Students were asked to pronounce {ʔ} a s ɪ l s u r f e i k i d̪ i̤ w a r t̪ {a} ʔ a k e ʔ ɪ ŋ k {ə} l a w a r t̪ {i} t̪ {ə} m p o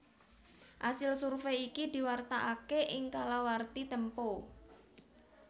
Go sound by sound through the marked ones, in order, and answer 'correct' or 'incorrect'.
correct, correct, incorrect: a, correct, correct

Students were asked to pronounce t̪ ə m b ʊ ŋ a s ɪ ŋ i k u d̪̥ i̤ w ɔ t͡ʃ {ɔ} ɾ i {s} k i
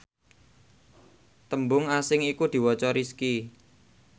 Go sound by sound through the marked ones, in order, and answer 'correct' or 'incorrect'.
correct, correct

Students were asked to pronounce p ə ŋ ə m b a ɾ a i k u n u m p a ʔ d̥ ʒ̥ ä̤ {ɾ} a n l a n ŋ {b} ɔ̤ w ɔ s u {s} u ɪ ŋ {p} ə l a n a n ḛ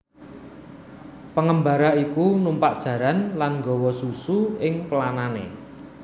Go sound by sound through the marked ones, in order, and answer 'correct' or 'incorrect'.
correct, incorrect: ɡ, correct, correct

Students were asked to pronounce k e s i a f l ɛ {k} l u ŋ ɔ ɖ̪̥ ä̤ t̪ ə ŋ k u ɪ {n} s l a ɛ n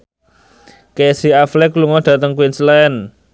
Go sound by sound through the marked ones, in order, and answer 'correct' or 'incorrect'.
correct, correct

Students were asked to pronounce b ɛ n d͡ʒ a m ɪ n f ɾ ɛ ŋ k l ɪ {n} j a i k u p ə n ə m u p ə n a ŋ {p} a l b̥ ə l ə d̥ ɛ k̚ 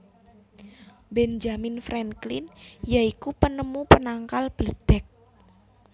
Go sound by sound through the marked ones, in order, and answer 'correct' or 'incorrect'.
correct, incorrect: k

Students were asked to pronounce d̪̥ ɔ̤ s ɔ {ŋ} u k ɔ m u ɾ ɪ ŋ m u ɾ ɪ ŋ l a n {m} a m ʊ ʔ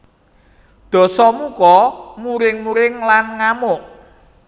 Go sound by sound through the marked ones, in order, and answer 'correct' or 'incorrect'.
incorrect: m, incorrect: ŋ

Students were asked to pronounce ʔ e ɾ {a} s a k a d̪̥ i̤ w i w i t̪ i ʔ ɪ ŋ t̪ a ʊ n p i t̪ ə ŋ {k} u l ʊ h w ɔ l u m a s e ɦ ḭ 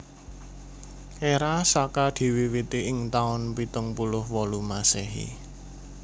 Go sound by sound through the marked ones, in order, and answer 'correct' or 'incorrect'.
correct, incorrect: p

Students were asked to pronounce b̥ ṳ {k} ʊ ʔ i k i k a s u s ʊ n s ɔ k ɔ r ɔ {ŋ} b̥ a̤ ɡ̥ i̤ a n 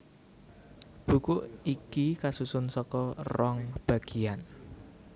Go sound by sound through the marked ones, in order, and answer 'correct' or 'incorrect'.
correct, correct

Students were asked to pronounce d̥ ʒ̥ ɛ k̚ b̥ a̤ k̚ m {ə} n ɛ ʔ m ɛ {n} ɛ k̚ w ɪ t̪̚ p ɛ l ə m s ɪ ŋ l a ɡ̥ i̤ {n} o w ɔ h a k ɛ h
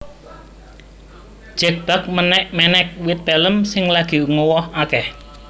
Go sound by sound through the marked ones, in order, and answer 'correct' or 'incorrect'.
correct, correct, incorrect: ŋ

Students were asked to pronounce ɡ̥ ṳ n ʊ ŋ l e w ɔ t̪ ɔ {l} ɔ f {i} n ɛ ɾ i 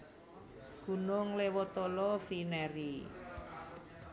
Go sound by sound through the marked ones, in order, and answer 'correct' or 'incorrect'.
correct, correct

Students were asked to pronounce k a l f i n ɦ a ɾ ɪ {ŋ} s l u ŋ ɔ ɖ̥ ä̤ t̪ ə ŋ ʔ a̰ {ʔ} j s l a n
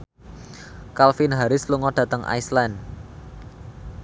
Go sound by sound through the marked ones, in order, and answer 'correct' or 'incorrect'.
incorrect: none, incorrect: none

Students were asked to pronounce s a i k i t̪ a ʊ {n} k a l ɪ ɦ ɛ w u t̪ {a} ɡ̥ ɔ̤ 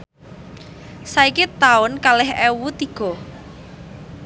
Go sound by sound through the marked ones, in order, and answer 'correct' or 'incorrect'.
correct, incorrect: i

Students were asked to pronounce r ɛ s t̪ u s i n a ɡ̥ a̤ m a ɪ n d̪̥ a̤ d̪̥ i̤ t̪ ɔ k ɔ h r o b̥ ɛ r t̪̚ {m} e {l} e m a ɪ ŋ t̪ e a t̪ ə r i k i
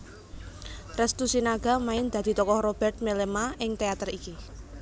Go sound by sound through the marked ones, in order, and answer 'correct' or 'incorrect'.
correct, correct

